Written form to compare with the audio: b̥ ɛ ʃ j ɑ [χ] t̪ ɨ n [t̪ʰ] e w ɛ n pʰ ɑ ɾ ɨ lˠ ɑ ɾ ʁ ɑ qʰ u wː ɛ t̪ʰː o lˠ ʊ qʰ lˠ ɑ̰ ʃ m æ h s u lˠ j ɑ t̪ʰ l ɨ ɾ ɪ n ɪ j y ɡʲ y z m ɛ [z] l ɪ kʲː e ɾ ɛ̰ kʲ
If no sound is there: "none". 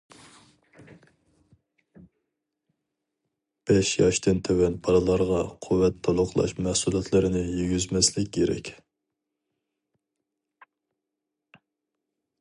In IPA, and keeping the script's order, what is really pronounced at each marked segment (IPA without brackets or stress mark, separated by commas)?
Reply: ʃ, t̪ʰ, s